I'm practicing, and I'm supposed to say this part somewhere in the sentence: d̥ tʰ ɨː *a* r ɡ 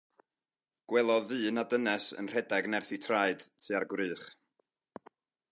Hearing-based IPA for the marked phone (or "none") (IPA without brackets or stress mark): a